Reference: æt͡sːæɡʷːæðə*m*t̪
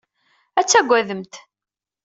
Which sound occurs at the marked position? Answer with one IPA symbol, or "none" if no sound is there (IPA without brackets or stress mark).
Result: m